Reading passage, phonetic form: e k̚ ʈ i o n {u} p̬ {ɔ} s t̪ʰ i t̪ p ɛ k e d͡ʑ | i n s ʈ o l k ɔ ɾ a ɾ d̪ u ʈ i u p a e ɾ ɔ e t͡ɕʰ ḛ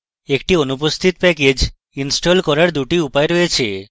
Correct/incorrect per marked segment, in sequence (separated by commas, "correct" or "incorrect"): correct, incorrect